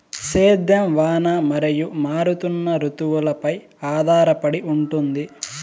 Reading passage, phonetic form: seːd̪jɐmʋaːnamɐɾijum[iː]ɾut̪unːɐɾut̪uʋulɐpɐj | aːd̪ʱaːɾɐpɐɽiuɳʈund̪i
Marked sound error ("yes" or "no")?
yes